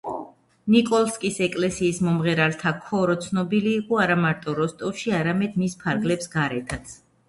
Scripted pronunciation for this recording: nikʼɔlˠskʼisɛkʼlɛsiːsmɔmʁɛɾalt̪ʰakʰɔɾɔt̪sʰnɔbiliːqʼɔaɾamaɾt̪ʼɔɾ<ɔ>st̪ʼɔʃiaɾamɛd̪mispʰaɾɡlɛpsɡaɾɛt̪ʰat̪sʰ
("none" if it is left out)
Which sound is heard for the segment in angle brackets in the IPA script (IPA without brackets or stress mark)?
ɔ